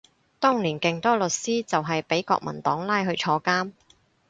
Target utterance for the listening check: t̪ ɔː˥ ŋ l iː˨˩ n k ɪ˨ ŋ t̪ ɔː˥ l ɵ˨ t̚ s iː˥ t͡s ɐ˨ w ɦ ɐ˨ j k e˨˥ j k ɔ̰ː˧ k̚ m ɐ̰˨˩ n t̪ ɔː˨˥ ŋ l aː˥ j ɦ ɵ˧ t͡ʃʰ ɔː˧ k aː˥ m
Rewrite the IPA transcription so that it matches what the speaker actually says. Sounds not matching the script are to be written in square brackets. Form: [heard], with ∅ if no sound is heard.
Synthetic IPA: t̪ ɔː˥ ŋ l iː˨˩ n k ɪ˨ ŋ t̪ ɔː˥ l ɵ˨ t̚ s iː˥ t͡s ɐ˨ w ɦ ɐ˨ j [p] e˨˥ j k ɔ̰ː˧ k̚ m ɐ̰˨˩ n t̪ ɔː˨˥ ŋ l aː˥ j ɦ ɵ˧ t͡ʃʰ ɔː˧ k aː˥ m